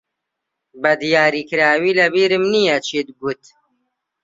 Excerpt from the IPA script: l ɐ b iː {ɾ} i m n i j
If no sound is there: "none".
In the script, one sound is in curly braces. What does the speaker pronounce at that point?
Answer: ɾ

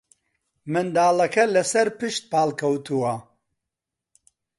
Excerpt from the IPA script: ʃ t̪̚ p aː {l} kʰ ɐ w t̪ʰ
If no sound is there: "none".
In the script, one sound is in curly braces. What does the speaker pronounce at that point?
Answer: l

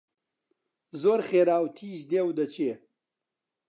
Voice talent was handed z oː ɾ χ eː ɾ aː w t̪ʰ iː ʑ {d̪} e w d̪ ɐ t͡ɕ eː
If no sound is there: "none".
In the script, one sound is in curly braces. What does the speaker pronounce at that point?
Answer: d̪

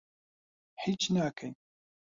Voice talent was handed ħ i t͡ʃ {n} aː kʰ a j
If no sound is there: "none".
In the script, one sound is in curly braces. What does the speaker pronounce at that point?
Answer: n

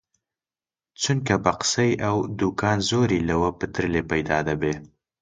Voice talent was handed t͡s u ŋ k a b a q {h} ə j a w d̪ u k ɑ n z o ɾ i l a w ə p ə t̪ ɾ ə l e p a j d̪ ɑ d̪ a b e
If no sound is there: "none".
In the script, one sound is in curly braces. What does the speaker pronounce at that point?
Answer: s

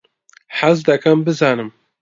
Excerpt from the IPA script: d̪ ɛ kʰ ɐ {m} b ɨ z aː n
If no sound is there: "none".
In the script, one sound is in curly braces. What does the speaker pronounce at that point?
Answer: m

